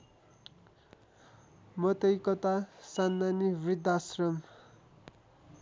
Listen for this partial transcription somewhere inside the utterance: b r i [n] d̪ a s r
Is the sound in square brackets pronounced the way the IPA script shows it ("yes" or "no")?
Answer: no